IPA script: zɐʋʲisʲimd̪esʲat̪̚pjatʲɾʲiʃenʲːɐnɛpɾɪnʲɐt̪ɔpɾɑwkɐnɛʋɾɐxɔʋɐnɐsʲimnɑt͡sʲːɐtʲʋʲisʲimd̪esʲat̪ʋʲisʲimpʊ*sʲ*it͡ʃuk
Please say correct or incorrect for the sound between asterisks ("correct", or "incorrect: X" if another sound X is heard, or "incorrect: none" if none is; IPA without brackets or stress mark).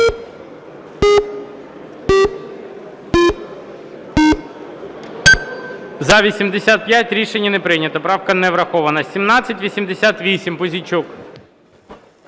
incorrect: zʲ